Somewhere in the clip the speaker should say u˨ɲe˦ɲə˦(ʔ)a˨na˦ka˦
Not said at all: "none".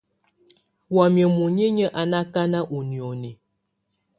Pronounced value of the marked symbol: ʔ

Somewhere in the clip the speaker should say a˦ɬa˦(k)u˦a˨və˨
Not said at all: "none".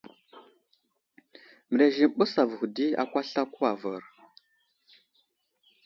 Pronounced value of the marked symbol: k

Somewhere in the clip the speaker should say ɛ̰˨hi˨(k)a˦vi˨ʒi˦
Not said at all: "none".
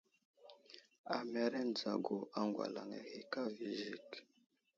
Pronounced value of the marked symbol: k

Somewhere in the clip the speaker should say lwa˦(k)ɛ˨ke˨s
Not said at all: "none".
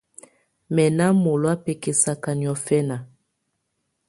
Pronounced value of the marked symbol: p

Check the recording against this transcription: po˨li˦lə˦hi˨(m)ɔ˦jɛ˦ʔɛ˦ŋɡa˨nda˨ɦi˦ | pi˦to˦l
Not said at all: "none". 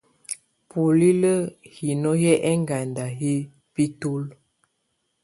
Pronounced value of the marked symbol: n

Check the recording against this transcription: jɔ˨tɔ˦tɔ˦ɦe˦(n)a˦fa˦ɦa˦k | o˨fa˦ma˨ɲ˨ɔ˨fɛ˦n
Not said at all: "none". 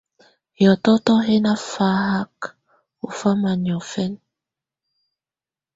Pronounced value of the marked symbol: n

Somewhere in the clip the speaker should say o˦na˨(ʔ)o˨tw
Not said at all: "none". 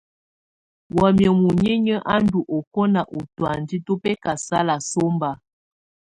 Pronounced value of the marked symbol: ʔ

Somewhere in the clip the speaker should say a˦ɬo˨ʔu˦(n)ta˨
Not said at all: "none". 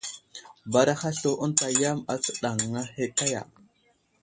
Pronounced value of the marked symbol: n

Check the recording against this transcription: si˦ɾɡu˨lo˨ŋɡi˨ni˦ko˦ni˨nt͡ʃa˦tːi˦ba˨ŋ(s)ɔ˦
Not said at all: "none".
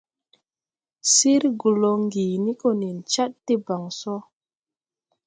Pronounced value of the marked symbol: s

